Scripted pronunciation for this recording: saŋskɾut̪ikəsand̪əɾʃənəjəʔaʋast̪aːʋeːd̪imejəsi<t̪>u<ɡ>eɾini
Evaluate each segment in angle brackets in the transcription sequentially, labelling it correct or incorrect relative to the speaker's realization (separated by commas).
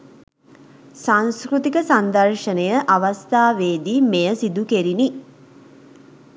incorrect, incorrect